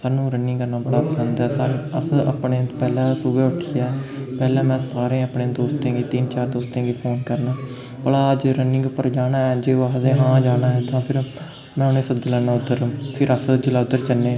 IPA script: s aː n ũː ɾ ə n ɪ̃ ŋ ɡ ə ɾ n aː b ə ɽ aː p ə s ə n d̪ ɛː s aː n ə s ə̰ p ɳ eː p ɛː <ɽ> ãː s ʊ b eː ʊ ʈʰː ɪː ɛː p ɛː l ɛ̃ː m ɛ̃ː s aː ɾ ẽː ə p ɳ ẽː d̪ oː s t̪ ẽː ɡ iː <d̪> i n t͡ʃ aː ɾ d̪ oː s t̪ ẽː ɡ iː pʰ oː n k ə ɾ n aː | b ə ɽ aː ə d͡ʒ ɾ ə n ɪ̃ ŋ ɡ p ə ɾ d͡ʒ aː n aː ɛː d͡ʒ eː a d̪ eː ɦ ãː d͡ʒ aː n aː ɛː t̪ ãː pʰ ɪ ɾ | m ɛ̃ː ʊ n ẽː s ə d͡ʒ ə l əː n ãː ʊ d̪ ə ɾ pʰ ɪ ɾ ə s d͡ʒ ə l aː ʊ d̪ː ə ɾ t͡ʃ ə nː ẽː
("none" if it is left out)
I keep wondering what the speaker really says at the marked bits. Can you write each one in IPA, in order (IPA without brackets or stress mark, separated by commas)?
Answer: l, t̪